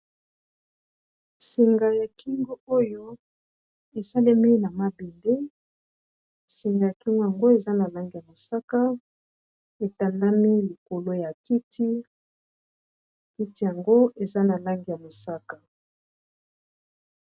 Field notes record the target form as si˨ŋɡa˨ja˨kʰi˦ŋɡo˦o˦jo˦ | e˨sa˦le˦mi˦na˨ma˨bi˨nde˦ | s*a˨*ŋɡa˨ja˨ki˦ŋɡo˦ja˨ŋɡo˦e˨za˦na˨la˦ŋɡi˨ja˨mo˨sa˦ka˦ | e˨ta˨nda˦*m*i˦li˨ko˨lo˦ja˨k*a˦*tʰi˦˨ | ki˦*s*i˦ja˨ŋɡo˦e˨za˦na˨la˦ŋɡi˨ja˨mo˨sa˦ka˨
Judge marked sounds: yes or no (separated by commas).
no, yes, no, no